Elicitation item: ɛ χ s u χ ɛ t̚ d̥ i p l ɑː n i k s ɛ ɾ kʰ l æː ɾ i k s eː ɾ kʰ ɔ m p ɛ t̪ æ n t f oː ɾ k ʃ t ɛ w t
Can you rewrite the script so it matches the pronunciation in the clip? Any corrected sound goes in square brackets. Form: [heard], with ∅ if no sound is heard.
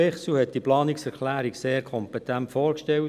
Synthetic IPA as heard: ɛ χ s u [h] ɛ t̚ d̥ i p l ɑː n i k s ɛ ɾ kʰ l æː ɾ i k s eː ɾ kʰ ɔ m p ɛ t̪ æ n t f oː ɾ k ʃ t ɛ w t

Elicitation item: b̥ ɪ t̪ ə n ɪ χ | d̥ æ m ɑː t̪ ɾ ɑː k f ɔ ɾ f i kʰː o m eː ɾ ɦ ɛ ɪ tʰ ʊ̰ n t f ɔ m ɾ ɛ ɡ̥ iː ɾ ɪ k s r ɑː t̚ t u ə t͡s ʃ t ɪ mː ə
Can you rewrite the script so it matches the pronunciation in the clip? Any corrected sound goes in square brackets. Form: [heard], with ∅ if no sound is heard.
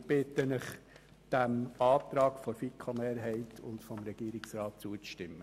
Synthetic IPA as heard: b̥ ɪ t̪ ə n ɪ χ | d̥ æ m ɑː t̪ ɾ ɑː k f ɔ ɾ f i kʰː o m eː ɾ ɦ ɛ ɪ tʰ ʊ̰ n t f ɔ m ɾ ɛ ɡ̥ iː ɾ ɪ k s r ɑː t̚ [t͡s] u ə t͡s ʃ t ɪ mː ə

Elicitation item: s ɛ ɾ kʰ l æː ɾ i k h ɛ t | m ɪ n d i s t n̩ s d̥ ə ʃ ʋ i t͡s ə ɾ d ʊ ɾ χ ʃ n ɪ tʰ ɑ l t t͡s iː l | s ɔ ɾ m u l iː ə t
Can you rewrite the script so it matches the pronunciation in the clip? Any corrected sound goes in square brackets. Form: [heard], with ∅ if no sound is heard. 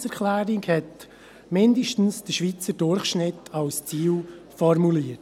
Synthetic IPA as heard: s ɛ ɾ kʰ l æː ɾ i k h ɛ t | m ɪ n d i [ʃ] t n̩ s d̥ ə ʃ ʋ i t͡s ə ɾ d ʊ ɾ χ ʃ n ɪ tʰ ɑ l [s] t͡s iː l | [f] ɔ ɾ m u l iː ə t

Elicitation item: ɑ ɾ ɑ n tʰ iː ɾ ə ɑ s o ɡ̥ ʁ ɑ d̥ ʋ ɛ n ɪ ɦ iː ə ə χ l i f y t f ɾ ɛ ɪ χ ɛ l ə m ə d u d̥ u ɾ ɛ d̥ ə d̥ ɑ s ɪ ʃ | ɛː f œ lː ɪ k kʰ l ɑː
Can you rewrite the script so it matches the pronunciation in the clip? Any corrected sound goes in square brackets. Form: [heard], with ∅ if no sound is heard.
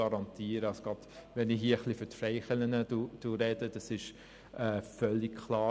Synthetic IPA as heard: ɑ ɾ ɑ n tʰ iː ɾ ə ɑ s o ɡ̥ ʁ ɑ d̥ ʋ ɛ n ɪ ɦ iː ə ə χ l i f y t f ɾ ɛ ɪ χ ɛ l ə [n] ə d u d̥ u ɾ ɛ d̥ ə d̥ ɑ s ɪ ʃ | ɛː f œ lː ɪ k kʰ l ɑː

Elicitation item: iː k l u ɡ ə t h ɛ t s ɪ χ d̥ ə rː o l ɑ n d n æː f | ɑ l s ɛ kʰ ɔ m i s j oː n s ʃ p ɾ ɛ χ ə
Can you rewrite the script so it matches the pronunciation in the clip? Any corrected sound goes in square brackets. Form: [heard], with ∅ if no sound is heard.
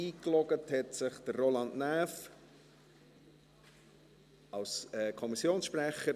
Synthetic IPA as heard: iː k l [ɔ] ɡ ə t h ɛ t s ɪ χ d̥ ə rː o l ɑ n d n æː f | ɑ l s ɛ kʰ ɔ m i s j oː n s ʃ p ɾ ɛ χ ə

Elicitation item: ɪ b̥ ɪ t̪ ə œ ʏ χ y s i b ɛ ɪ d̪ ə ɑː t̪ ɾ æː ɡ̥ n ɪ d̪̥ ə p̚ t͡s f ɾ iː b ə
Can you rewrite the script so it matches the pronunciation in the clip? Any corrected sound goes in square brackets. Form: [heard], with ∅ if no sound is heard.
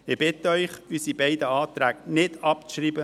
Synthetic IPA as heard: ɪ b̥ ɪ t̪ ə œ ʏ χ y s i b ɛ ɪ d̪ ə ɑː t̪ ɾ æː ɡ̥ n ɪ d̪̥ [ɑ] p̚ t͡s [ʃ] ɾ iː b ə

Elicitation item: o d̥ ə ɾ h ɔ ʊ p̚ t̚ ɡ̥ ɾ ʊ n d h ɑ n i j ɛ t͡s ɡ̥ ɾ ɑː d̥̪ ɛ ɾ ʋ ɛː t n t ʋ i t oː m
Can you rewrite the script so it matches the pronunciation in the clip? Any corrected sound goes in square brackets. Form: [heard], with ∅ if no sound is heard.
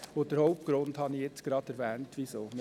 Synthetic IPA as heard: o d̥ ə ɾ h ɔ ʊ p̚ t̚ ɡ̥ ɾ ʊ n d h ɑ n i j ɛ t͡s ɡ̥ ɾ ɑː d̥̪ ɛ ɾ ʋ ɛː [∅] n t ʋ i [s] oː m

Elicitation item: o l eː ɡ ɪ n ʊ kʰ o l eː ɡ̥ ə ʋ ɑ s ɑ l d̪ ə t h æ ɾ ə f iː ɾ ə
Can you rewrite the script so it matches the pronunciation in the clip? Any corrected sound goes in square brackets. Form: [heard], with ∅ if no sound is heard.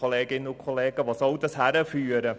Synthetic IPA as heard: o l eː ɡ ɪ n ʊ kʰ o l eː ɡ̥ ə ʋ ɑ s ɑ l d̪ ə [s] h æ ɾ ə f [yː] ɾ ə

